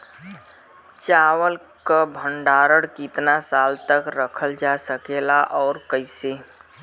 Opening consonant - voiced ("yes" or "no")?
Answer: no